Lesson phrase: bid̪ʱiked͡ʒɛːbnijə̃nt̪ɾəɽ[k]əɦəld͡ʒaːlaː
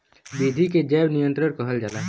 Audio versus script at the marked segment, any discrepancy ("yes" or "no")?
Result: no